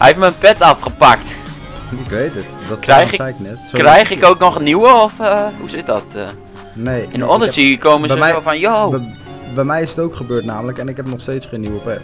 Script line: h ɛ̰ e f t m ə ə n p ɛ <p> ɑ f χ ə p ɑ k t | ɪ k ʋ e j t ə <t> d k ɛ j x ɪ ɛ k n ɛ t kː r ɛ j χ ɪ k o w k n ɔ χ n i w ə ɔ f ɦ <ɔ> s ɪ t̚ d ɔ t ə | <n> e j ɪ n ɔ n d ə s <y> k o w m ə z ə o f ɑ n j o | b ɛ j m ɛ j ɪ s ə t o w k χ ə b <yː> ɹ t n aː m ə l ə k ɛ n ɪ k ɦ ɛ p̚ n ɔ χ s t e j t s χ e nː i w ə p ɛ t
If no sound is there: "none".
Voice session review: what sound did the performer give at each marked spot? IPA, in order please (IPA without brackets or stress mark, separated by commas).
t, t, u, n, i, øː